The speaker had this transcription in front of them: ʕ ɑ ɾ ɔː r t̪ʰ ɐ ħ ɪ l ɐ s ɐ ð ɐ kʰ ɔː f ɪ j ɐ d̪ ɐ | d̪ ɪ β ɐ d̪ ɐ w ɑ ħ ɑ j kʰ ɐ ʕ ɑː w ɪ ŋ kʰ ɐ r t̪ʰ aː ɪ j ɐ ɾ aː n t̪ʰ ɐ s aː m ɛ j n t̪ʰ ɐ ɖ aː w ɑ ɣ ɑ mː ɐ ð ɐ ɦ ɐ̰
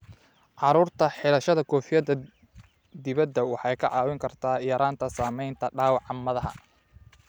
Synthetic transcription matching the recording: ʕ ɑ ɾ uː r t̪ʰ ɐ ħ ɪ l ɐ ʃ ɐ ð ɐ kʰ ɔː f ɪ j ɐ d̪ ɐ | d̪ ɪ β ɐ d̪ ɐ w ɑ ħ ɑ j kʰ ɐ ʕ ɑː w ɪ ŋ kʰ ɐ r t̪ʰ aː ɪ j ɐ ɾ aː n t̪ʰ ɐ s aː m ɛ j n t̪ʰ ɐ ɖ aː w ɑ ʕ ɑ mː ɐ ð ɐ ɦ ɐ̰